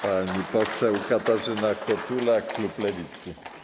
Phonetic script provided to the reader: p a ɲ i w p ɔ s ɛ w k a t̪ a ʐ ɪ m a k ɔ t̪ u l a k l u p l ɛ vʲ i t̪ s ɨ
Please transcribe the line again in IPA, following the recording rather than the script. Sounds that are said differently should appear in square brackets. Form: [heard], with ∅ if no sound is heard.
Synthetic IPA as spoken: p a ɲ i [∅] p ɔ s ɛ w k a t̪ a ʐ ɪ [n] a k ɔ t̪ u l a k l u p l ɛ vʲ i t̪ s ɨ